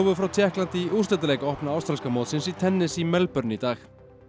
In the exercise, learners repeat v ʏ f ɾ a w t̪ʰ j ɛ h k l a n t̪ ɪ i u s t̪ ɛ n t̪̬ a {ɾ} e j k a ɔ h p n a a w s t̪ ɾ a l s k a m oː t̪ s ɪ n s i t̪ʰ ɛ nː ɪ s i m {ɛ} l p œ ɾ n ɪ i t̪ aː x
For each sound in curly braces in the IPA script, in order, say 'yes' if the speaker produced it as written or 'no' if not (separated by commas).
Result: no, yes